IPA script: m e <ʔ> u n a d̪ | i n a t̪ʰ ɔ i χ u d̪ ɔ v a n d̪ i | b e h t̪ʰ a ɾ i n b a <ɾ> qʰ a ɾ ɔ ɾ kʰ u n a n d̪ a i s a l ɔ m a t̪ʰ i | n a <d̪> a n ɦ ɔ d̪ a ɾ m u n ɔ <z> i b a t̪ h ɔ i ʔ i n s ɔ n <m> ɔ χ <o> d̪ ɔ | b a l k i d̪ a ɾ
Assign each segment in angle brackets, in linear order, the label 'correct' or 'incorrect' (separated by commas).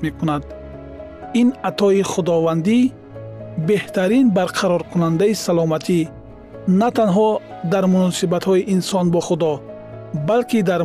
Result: incorrect, correct, incorrect, incorrect, incorrect, incorrect